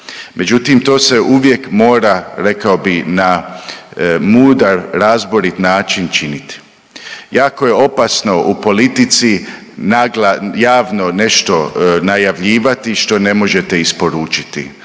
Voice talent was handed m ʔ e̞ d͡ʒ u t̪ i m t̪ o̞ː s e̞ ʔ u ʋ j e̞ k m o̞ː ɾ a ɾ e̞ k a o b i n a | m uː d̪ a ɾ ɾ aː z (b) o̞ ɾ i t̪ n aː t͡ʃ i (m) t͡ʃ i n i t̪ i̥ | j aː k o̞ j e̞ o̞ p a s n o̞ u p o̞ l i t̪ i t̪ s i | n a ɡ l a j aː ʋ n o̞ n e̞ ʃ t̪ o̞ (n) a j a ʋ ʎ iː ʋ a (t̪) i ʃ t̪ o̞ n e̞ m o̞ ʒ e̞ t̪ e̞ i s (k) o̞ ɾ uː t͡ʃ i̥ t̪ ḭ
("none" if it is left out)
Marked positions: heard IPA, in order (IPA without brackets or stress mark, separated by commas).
b, n, n, t̪, p